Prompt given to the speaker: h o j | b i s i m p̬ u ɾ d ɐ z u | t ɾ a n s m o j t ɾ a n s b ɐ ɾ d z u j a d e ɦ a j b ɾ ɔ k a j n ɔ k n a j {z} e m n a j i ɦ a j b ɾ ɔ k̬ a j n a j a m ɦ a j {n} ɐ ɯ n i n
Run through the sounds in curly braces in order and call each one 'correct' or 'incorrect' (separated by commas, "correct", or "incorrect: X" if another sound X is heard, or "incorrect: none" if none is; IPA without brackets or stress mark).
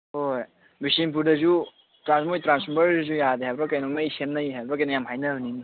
incorrect: s, correct